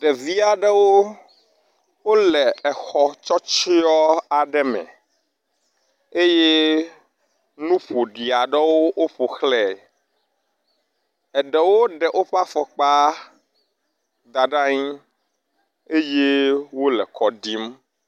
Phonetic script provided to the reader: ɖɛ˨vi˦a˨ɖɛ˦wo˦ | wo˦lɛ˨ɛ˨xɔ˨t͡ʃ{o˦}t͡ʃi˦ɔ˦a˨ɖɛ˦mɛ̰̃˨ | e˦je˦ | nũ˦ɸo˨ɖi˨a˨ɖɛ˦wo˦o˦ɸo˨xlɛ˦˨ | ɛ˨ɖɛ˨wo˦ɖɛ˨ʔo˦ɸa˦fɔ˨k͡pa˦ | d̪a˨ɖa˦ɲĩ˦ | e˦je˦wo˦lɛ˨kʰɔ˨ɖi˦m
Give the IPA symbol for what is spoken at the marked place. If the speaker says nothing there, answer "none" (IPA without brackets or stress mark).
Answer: ɔ˦